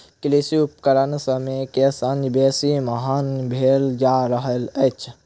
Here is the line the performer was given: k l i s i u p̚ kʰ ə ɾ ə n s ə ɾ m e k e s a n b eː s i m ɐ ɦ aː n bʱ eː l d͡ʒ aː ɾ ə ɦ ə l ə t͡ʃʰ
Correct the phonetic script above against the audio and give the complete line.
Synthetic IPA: k l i s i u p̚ k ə ɾ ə n s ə m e k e s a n b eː s i m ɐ ɦ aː n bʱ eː l d͡ʒ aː ɾ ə ɦ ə l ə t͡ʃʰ